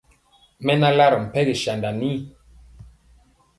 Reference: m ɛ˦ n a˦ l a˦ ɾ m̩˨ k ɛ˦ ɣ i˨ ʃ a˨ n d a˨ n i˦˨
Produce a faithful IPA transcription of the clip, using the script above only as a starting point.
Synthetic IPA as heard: m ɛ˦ n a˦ l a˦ ɾ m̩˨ p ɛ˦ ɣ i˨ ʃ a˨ n d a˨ n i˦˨